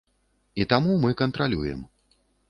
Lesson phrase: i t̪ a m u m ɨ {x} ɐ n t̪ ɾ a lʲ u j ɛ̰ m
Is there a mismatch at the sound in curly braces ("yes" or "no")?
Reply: yes